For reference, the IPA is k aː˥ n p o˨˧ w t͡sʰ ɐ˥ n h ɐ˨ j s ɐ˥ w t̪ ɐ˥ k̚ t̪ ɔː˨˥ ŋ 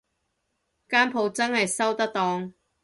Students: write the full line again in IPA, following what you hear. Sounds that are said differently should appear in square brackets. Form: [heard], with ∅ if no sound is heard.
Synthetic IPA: k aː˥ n [pʰ] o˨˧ w [t͡s] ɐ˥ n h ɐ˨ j s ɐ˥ w t̪ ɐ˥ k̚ t̪ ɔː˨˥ ŋ